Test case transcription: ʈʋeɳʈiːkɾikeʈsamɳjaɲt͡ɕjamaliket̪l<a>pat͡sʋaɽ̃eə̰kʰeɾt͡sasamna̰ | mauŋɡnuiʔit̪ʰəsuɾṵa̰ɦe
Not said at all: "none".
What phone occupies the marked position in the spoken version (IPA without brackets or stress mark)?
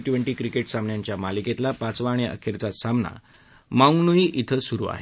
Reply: a